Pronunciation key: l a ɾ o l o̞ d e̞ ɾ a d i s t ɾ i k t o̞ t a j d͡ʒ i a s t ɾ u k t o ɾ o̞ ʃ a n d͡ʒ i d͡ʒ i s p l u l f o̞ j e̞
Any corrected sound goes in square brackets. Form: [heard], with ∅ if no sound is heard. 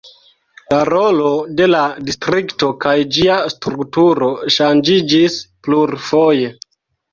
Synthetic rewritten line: l a ɾ o l o̞ d e̞ [l] a d i s t ɾ i k t o̞ [k] a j d͡ʒ i a s t ɾ u k t [u] ɾ o̞ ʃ a n d͡ʒ i d͡ʒ i s p l u [ɾ] f o̞ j e̞